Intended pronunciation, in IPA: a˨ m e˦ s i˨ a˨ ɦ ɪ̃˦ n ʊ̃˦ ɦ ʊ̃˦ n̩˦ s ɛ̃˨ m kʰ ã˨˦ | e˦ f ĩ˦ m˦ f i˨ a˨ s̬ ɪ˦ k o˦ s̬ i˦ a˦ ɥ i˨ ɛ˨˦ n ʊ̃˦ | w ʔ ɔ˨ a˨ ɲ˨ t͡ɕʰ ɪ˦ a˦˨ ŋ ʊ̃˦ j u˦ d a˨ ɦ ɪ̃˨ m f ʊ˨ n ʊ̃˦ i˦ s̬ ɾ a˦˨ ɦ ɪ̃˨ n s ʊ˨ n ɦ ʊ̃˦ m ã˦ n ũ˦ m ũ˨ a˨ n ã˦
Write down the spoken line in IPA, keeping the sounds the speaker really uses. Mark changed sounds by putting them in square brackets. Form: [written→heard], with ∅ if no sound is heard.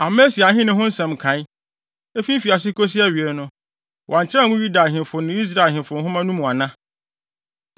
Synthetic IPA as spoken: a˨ m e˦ s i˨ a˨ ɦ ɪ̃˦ n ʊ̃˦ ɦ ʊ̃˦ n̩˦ s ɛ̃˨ m kʰ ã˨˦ | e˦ f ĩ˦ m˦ f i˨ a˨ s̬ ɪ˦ k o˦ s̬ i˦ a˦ ɥ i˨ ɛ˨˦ n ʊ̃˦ | w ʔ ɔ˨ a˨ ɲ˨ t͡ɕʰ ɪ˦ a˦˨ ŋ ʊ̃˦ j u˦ d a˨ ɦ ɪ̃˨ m f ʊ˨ n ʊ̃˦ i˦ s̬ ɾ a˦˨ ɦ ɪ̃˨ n [s→f] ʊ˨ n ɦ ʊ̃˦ m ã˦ n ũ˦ m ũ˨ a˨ n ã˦